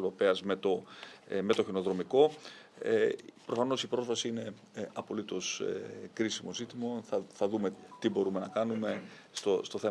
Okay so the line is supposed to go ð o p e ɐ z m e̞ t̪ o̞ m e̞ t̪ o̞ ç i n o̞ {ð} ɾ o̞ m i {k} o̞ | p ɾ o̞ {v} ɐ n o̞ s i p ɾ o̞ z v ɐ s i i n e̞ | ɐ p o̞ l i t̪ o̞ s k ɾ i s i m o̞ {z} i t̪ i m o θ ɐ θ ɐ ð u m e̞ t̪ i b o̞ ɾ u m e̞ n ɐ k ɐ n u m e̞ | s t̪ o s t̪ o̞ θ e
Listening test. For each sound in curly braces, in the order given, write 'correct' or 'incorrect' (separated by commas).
correct, correct, incorrect, correct